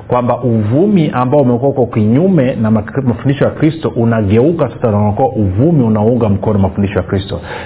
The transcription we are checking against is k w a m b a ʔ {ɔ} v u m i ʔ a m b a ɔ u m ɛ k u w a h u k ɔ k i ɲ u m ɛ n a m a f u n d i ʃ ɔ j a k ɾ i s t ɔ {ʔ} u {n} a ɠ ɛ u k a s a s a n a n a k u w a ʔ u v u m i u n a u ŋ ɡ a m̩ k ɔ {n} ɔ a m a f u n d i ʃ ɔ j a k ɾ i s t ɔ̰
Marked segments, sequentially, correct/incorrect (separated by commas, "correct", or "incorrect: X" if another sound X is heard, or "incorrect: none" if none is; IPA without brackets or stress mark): incorrect: u, correct, correct, correct